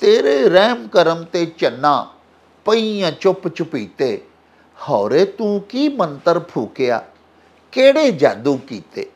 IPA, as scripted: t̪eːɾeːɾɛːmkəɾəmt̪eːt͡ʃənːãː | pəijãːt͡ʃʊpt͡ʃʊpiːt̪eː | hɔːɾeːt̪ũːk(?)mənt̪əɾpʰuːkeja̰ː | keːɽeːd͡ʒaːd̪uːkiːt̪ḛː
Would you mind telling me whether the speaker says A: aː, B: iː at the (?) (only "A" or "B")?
B